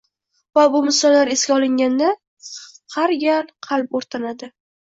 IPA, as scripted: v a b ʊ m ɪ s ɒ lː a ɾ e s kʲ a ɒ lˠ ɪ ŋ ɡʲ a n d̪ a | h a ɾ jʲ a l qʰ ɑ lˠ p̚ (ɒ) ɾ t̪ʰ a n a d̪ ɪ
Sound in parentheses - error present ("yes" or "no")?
yes